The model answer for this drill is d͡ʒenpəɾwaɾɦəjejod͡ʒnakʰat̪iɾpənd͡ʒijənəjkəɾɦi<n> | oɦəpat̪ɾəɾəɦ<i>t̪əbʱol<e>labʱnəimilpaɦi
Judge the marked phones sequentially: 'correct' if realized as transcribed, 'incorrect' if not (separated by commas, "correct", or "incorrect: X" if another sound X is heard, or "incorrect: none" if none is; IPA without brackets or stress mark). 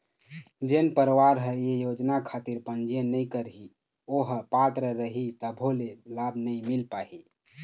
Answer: incorrect: none, correct, correct